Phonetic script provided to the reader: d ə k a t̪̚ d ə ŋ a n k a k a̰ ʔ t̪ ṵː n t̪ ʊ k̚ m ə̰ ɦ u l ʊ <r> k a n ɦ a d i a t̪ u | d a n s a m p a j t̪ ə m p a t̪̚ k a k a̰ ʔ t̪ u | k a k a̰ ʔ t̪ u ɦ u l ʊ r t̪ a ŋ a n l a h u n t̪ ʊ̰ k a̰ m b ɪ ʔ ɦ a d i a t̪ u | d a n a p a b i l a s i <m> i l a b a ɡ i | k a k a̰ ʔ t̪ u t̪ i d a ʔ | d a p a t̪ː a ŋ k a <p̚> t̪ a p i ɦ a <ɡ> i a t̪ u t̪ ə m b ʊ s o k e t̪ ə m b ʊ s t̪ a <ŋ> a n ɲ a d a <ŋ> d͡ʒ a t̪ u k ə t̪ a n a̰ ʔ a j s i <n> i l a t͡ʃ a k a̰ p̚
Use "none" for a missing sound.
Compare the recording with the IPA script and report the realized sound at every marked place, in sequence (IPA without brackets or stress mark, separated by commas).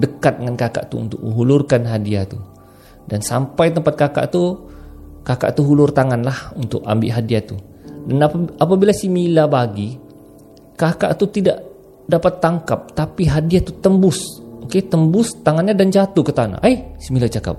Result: r, m, p̚, d, ŋ, n, m